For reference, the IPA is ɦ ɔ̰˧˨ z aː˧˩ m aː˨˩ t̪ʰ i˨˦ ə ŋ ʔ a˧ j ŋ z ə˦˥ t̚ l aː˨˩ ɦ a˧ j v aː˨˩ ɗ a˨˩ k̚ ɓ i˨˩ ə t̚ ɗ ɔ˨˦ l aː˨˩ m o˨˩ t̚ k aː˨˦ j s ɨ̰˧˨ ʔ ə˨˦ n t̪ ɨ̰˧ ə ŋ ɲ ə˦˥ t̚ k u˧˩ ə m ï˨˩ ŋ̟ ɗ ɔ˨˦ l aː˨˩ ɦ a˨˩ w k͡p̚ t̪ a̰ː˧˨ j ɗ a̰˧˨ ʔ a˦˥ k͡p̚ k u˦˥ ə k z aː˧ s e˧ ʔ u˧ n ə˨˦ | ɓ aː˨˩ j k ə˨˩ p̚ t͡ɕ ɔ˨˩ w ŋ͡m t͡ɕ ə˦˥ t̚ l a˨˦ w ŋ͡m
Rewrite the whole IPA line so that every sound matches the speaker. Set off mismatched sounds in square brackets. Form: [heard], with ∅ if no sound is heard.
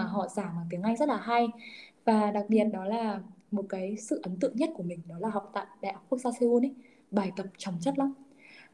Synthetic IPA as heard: ɦ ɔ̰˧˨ z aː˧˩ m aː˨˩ [t̪] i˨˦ ə ŋ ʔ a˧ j ŋ z ə˦˥ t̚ l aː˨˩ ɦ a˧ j v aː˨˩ ɗ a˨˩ k̚ ɓ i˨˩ ə t̚ ɗ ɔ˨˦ l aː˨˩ m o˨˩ t̚ k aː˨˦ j s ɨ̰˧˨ ʔ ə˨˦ n t̪ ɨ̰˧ ə ŋ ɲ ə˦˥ t̚ k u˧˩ ə m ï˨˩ ŋ̟ ɗ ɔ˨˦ l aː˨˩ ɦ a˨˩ w k͡p̚ t̪ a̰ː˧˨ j ɗ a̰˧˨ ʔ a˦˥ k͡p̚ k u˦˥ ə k z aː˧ s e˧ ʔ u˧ n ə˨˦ | ɓ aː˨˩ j k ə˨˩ p̚ t͡ɕ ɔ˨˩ w ŋ͡m t͡ɕ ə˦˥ t̚ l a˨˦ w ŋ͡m